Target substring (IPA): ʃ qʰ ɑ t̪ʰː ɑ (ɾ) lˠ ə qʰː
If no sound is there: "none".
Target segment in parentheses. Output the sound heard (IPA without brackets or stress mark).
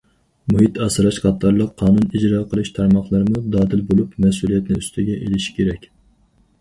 ɾ